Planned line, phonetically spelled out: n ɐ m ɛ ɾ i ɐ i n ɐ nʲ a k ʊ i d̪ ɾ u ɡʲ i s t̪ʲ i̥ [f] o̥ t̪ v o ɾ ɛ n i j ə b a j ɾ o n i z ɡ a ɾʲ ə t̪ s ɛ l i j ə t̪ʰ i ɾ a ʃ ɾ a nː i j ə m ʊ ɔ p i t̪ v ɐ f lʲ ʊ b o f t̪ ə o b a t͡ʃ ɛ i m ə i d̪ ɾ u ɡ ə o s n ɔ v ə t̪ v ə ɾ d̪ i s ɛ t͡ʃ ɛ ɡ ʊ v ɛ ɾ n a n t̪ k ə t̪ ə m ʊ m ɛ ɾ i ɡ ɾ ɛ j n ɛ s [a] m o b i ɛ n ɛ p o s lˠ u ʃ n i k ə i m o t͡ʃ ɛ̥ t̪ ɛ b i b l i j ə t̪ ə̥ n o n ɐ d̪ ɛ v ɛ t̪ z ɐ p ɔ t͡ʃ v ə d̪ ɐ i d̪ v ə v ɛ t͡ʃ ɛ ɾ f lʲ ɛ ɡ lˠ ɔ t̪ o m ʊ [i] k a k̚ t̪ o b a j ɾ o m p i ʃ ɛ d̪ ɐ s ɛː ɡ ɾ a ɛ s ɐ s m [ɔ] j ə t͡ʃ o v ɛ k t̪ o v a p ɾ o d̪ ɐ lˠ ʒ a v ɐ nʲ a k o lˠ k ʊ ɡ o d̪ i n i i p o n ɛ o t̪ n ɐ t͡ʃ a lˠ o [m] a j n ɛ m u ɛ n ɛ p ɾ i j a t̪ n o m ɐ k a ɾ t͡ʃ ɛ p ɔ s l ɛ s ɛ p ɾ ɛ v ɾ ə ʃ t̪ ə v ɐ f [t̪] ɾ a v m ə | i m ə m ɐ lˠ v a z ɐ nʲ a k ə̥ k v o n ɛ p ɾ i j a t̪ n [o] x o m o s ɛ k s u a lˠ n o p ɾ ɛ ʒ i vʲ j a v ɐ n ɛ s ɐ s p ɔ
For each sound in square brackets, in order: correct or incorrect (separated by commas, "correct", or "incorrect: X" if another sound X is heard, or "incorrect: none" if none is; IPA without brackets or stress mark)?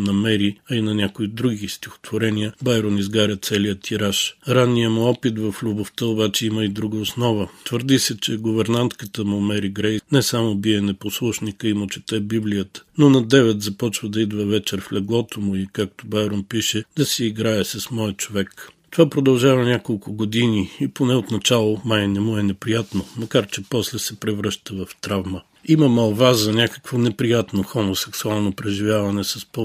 incorrect: x, correct, correct, correct, correct, correct, correct